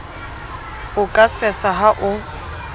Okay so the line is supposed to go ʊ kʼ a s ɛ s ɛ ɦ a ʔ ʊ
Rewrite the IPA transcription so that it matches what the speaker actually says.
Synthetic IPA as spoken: ʊ kʼ a s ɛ s a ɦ a ʔ ʊ